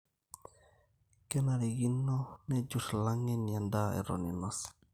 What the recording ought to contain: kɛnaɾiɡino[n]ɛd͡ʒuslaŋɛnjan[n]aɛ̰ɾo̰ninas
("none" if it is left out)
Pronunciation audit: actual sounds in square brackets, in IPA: n, d

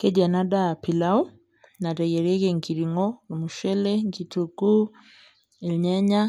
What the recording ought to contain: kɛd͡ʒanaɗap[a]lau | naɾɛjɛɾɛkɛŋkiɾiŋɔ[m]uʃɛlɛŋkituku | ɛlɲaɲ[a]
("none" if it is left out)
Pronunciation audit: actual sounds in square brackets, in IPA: i, m, a

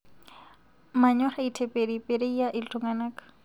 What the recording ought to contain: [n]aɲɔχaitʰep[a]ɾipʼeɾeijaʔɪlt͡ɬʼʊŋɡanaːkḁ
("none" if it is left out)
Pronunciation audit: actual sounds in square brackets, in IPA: m, e

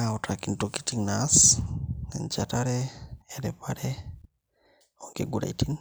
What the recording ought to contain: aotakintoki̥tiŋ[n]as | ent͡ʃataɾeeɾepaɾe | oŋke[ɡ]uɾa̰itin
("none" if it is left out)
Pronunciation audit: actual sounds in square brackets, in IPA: n, ɡ

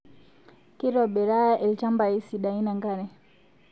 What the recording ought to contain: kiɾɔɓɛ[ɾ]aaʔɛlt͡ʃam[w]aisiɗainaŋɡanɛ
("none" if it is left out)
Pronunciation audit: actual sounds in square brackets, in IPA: ɾ, b

